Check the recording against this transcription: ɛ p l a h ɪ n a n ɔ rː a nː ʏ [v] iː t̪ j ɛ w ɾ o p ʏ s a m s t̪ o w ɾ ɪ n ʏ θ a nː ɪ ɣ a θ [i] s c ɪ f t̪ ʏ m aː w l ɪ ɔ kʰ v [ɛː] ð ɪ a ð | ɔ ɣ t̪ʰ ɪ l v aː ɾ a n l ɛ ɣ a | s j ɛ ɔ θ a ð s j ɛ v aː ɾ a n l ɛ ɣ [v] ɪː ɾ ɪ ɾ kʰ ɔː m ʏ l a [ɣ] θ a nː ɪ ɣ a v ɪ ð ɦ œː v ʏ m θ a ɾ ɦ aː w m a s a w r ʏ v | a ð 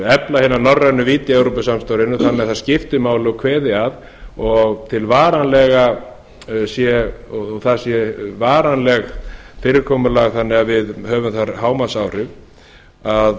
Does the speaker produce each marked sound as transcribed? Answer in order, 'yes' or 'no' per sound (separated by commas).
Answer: yes, no, yes, no, yes